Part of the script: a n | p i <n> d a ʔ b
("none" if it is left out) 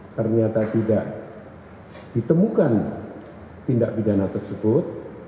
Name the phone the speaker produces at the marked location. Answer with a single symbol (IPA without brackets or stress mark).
n